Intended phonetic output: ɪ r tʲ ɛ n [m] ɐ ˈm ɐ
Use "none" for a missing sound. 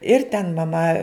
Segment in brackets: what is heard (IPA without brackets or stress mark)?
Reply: m